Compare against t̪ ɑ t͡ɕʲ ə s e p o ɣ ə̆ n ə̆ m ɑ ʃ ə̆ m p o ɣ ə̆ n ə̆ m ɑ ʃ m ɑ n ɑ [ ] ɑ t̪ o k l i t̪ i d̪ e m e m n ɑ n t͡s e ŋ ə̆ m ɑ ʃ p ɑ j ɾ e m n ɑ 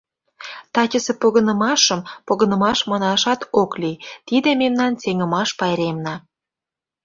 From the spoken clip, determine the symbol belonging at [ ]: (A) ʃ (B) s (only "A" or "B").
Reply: A